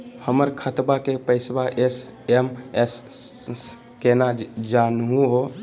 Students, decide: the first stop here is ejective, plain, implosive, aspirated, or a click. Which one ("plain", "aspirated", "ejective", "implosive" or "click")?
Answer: aspirated